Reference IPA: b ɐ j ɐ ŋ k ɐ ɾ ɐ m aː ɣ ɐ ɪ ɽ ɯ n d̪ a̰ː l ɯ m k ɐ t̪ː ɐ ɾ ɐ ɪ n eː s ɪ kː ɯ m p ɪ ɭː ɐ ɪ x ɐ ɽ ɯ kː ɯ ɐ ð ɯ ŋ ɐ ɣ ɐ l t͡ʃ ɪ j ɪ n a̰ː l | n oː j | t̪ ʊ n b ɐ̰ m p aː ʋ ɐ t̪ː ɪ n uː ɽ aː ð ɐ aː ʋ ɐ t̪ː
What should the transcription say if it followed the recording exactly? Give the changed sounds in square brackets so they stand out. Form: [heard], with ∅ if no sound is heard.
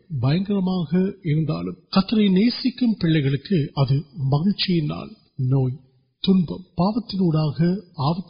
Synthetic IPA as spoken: b ɐ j ɐ ŋ [ɡ] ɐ ɾ ɐ m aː ɣ ɐ ɪ [ɾ] ɯ n d̪ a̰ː l ɯ m k ɐ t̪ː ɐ ɾ ɐ ɪ n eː s ɪ kː ɯ m p ɪ ɭː ɐ ɪ [ɣ] ɐ [ɭ] ɯ kː ɯ ɐ ð ɯ [m] ɐ ɣ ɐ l t͡ʃ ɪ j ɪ n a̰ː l | n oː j | t̪ ʊ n b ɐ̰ m p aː ʋ ɐ t̪ː ɪ n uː ɽ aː [ɣ] ɐ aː ʋ ɐ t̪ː